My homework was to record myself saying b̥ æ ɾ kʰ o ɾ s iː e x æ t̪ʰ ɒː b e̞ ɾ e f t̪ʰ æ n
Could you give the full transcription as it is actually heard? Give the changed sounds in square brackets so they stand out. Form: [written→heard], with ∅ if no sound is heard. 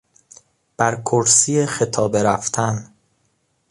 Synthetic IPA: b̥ æ ɾ kʰ o ɾ s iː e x [æ→e] t̪ʰ ɒː b e̞ ɾ [e→æ] f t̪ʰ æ n